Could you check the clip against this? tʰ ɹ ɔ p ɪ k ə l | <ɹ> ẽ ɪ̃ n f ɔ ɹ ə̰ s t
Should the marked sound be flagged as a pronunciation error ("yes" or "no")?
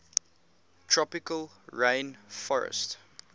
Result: no